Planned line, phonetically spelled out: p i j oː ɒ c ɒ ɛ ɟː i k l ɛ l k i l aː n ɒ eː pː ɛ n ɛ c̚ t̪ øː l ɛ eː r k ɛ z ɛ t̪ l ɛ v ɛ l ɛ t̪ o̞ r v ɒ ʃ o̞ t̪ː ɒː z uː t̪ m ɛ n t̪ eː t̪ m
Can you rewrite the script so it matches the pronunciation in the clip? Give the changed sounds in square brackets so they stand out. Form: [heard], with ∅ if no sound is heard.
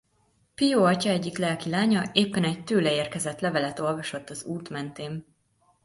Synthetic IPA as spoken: p i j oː ɒ c ɒ ɛ ɟː i k l ɛ l k i l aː [ɲ] ɒ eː pː ɛ n ɛ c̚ t̪ øː l ɛ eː r k ɛ z ɛ t̪ l ɛ v ɛ l ɛ t̪ o̞ [l] v ɒ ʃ o̞ t̪ː [ɒ] z uː t̪ m ɛ n t̪ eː [∅] m